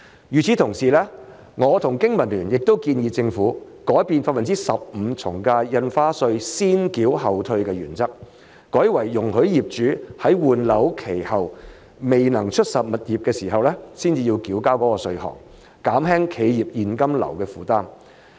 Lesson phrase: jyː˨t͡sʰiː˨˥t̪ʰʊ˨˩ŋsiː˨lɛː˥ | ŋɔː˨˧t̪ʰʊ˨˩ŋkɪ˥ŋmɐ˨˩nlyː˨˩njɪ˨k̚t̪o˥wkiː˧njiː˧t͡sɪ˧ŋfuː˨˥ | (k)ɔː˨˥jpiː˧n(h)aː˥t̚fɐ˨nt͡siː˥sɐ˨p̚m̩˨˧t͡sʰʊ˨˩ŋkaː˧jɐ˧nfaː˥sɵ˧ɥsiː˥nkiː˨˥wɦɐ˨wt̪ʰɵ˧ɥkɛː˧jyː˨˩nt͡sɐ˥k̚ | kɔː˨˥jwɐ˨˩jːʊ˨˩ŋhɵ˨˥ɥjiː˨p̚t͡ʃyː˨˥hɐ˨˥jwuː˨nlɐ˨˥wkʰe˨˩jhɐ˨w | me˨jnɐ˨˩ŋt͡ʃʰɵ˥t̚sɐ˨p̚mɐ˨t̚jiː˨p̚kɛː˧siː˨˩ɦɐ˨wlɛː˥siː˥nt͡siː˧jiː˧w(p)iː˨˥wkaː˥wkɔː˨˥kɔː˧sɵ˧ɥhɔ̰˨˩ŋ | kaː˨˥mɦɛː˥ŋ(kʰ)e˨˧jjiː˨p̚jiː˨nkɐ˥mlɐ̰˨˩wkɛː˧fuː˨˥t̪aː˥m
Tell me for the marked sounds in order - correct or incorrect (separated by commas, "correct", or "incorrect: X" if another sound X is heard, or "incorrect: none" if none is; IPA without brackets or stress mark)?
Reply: correct, incorrect: f, incorrect: k, correct